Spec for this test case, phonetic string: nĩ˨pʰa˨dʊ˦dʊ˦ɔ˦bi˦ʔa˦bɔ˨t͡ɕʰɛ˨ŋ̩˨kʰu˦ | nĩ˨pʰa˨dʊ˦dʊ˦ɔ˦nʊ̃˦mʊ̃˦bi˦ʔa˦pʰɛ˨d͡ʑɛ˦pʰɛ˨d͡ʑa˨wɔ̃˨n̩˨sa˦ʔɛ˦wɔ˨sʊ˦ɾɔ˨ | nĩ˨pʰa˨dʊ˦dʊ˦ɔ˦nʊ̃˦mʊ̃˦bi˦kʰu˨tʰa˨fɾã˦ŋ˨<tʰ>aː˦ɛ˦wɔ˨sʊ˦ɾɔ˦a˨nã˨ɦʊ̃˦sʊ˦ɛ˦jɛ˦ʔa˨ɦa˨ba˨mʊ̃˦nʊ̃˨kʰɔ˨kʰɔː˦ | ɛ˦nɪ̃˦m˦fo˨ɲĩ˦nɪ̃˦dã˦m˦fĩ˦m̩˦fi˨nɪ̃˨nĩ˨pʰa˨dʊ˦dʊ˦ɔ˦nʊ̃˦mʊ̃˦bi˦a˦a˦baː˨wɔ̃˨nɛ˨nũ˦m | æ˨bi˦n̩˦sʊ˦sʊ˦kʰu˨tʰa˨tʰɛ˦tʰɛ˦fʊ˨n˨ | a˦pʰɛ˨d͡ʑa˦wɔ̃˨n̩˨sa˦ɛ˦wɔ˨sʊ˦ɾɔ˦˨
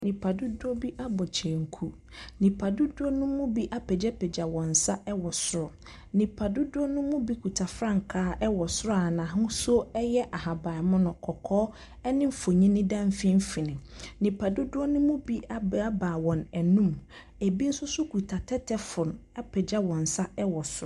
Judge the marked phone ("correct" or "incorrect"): incorrect